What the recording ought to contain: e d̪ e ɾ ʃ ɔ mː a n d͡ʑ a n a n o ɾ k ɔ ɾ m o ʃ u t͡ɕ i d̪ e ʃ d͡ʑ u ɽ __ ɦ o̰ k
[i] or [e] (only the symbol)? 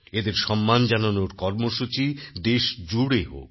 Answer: e